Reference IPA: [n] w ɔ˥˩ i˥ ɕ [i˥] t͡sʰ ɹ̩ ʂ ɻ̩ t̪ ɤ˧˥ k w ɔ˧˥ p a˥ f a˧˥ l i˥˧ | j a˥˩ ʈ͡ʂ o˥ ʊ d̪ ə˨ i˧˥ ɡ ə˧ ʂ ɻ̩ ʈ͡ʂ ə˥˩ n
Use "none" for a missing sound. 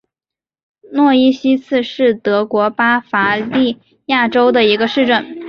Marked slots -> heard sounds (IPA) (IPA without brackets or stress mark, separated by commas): n, i˥